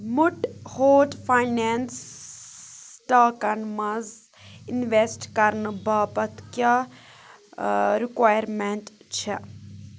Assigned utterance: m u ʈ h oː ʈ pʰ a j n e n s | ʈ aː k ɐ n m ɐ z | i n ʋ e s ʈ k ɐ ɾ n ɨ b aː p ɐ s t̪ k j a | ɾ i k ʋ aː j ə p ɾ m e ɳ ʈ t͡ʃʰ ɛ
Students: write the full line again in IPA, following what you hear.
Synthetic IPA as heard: m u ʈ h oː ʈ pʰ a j n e n s | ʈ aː k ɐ n m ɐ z | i n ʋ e s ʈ k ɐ ɾ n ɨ b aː p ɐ t̪ k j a | ɾ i k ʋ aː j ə ɾ m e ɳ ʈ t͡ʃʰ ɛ